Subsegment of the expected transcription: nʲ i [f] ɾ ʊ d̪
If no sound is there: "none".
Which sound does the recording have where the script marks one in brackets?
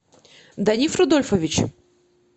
f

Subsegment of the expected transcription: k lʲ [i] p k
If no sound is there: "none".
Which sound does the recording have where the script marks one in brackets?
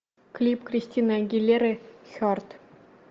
i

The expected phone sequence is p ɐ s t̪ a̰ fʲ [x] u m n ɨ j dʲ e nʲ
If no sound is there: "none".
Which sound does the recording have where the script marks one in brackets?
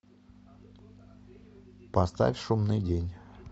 ʂ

